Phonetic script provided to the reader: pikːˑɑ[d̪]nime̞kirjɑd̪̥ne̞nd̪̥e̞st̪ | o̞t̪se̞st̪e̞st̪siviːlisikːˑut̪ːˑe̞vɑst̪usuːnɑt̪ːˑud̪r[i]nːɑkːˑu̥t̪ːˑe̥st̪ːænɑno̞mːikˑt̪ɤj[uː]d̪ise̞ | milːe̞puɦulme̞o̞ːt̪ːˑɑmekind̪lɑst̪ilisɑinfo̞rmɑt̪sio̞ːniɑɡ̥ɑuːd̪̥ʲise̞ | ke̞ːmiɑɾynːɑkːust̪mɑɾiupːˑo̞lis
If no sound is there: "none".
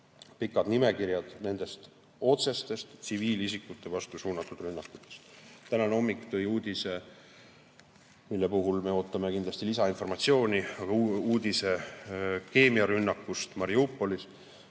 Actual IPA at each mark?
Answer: d̪, y, uː

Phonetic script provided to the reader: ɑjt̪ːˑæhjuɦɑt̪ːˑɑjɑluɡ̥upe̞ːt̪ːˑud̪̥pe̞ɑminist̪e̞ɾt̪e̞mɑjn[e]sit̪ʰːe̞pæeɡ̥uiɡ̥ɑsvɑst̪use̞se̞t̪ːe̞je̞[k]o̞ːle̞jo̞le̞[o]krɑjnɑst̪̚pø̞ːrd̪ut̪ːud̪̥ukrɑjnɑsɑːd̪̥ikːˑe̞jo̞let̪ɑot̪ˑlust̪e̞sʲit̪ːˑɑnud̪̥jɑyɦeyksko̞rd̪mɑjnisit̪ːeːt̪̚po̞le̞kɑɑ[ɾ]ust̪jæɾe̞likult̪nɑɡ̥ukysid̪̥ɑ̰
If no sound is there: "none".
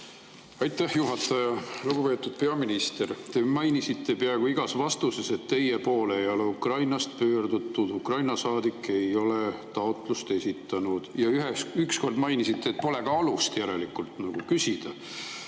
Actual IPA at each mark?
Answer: i, p, u, l

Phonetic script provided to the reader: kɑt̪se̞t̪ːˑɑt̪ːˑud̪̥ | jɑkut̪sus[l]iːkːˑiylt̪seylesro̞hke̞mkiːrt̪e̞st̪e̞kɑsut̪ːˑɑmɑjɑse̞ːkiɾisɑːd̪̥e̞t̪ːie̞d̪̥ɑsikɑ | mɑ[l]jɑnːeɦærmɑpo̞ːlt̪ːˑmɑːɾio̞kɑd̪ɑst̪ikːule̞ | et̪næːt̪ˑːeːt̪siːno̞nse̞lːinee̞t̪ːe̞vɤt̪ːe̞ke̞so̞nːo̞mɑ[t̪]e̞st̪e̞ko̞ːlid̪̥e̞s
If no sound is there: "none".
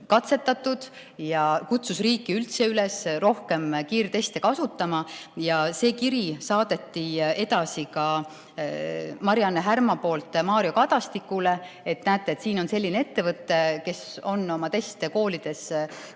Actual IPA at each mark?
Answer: r, ɾ, t̪

